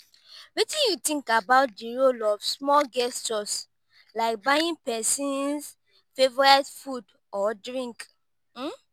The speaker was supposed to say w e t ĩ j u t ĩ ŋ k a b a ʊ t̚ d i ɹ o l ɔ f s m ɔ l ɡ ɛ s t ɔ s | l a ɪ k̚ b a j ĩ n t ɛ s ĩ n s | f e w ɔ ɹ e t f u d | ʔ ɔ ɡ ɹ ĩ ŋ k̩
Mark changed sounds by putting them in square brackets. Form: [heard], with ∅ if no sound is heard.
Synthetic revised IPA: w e t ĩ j u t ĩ ŋ k a b a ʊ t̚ d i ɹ o l ɔ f s m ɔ l ɡ ɛ s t ɔ s | l a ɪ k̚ b a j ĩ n [p] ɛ s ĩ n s | f e [v] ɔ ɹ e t f u d | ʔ ɔ [d] ɹ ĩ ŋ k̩